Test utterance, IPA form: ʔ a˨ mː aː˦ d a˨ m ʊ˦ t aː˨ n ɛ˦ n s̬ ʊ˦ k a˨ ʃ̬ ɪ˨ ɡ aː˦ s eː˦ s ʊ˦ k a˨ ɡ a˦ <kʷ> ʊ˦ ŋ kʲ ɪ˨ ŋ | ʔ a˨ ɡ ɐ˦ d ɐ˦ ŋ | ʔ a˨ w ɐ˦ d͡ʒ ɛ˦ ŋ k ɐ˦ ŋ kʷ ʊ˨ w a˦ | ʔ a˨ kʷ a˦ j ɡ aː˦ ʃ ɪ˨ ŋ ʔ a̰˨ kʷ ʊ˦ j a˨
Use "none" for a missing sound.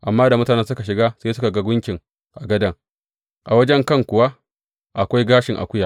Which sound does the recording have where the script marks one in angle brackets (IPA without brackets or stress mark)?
ɡʷ